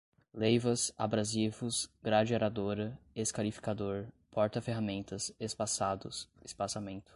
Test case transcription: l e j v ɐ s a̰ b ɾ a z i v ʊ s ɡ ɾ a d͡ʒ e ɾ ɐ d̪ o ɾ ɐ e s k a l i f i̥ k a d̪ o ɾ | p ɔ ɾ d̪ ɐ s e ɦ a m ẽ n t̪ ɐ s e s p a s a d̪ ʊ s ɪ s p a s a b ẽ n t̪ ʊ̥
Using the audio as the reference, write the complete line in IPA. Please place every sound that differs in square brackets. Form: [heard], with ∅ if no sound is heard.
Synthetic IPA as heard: l e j v ɐ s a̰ b ɾ a z i v ʊ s ɡ ɾ a d͡ʒ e ɾ [a] d̪ o ɾ ɐ e s k a l i f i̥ k a d̪ o ɾ | p ɔ ɾ [t̪] ɐ [f] e ɦ a m ẽ n t̪ ɐ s e s p a s a d̪ ʊ s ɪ s p a s a [m] ẽ n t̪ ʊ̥